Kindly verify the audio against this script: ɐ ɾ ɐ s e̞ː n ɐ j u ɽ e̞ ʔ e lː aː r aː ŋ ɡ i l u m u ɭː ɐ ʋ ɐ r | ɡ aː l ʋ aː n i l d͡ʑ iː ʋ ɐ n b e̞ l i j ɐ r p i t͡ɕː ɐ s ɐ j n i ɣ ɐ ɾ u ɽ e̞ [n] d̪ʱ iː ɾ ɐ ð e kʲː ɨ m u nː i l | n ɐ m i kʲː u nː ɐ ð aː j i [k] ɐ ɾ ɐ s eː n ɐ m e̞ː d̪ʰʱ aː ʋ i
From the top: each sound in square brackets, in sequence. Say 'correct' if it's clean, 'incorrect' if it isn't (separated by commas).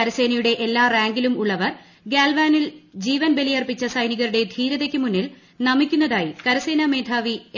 incorrect, correct